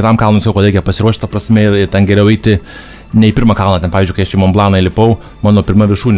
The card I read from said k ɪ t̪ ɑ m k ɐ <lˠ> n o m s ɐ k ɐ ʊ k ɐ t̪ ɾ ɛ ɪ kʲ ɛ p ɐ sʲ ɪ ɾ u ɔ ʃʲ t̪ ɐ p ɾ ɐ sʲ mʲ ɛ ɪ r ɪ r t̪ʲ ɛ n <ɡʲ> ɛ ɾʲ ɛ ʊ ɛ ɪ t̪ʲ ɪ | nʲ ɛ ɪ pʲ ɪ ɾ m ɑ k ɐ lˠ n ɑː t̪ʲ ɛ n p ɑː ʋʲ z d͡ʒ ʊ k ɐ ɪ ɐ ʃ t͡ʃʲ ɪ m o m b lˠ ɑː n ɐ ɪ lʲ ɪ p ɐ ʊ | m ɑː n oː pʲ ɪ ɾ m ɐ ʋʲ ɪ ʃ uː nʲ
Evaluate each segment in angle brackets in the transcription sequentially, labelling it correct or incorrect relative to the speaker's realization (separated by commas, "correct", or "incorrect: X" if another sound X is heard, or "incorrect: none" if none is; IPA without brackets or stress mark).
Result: correct, correct